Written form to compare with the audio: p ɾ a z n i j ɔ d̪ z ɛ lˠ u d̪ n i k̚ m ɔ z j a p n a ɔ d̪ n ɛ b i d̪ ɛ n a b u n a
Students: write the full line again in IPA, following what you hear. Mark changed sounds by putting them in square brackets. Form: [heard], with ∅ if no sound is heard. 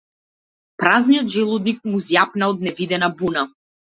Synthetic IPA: p ɾ a z n i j ɔ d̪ [ʒ] ɛ lˠ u d̪ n i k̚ m [u] z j a p n a ɔ d̪ n ɛ [v] i d̪ ɛ n a b u n a